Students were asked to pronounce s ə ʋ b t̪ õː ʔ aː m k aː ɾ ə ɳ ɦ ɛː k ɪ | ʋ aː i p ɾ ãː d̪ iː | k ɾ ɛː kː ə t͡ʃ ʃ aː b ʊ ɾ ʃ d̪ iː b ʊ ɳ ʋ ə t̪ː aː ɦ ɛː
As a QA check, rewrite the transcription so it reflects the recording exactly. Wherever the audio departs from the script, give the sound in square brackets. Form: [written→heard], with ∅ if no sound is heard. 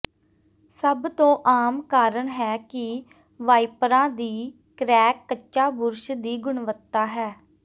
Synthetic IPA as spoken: s ə [ʋ→∅] b t̪ õː ʔ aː m k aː ɾ ə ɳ ɦ ɛː k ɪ | ʋ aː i p ɾ ãː d̪ iː | k ɾ ɛː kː ə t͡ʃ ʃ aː b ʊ ɾ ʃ d̪ iː [b→ɡ] ʊ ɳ ʋ ə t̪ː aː ɦ ɛː